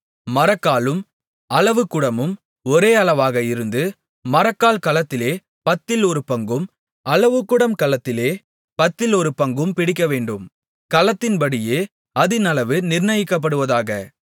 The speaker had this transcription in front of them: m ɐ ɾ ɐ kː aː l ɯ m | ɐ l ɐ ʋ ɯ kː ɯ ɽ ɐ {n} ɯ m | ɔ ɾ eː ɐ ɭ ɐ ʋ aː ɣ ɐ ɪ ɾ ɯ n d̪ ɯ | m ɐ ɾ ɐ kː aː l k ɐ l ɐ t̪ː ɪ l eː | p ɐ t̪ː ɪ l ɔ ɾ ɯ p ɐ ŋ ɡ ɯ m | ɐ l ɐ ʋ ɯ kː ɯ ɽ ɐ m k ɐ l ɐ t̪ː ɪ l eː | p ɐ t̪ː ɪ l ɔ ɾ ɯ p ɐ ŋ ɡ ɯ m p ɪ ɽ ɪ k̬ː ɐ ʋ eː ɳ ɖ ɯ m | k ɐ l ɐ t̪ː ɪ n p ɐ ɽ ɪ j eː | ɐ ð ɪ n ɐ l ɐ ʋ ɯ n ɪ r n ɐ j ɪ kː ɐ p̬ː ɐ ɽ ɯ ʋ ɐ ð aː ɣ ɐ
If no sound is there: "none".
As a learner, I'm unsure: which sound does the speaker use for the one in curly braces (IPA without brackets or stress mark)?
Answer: m